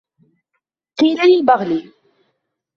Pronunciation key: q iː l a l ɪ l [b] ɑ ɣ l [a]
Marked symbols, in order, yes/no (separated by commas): yes, no